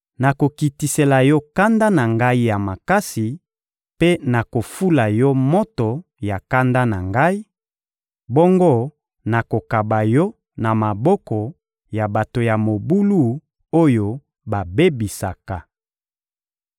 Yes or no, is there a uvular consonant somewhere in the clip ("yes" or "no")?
no